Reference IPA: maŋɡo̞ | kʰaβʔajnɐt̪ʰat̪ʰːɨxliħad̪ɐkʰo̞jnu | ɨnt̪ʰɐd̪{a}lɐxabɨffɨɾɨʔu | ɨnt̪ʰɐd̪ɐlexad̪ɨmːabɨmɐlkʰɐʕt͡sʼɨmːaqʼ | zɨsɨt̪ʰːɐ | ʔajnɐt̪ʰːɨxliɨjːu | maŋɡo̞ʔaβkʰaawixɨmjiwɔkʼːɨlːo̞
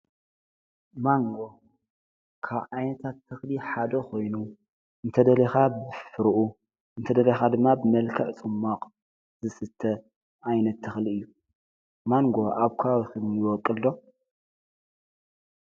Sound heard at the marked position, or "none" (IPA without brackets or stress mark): ɐ